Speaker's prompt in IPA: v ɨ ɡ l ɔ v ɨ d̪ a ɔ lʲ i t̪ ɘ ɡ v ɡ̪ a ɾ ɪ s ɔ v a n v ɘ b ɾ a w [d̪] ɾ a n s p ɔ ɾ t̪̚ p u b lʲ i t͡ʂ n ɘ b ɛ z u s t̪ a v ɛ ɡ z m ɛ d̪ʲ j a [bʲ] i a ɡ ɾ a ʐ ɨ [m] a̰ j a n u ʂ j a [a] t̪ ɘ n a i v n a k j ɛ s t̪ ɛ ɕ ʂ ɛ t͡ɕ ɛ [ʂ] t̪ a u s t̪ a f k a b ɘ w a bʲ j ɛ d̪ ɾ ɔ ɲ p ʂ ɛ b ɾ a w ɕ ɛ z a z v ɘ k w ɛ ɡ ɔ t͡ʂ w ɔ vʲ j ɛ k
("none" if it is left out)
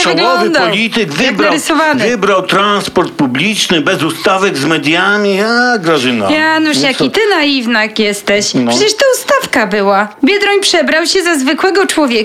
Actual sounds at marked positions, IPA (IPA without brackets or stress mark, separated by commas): t̪, mʲ, n, i, ʂ